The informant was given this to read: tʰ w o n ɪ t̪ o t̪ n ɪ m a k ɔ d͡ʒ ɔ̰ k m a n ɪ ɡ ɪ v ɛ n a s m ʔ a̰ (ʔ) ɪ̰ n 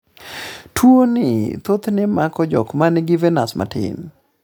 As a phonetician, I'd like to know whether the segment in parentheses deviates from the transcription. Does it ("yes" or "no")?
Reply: yes